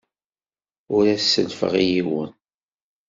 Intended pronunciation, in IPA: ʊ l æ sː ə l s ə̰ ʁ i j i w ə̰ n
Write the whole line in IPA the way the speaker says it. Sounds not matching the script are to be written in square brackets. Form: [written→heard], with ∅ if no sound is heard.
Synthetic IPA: ʊ [l→ɾ] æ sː ə l [s→f] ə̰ ʁ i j i w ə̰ n